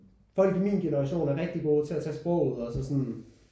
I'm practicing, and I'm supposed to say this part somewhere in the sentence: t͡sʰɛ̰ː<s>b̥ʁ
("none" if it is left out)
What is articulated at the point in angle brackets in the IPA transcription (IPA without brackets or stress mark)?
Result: s